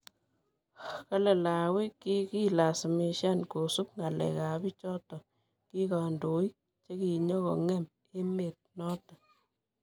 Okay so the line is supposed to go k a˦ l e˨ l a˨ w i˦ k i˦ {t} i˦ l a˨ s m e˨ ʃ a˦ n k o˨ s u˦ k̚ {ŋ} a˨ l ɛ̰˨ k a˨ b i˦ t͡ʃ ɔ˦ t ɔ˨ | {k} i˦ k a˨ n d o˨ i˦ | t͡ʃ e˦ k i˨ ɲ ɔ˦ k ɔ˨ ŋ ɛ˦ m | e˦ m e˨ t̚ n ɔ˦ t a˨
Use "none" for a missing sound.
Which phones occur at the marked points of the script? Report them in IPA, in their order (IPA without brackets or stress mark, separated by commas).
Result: k, ŋ, k